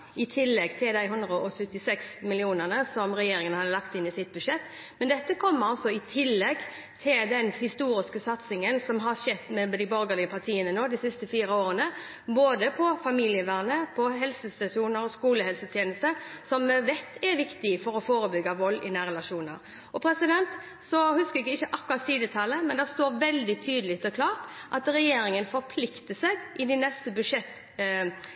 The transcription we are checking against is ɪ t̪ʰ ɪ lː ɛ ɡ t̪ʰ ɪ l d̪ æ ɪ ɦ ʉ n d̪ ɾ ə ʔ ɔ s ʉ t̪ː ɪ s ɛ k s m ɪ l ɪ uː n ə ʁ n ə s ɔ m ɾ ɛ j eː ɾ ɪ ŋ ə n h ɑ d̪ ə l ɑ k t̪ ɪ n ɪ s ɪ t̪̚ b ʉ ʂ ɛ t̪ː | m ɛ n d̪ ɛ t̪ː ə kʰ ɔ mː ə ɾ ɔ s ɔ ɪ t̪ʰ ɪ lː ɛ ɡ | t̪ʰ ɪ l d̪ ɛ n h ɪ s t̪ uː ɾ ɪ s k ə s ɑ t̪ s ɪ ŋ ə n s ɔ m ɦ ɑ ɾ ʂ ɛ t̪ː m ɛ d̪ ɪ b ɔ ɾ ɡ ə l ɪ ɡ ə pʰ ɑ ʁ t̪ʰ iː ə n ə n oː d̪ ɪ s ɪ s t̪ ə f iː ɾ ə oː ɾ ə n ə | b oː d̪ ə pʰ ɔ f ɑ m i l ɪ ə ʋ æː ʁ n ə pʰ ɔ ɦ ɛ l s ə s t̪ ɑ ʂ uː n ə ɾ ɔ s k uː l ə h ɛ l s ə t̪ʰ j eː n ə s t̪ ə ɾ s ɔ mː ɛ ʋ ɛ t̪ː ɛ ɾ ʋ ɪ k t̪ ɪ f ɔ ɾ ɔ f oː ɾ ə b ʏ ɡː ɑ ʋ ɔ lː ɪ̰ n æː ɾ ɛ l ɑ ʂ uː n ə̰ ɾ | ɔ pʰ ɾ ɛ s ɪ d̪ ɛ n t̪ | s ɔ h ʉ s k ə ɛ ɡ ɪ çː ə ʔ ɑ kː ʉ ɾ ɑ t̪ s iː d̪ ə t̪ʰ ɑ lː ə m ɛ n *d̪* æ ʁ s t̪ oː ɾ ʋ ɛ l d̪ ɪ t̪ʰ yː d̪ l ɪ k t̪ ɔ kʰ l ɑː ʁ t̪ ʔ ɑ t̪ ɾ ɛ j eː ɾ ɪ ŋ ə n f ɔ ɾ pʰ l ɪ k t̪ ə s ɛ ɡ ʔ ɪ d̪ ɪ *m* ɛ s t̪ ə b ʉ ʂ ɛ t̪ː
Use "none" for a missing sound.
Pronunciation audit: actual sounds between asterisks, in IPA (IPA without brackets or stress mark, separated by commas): d̪, n